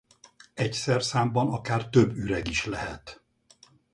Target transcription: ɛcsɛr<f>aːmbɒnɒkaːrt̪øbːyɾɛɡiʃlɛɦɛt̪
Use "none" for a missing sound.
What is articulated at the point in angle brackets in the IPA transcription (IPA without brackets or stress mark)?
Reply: s